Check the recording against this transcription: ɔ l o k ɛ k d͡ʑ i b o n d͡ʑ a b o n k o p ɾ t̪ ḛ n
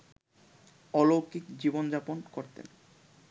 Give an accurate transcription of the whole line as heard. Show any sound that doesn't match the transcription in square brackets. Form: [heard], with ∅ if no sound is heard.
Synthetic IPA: ɔ l o k [i] k d͡ʑ i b o n d͡ʑ a [p] o n k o [∅] ɾ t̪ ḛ n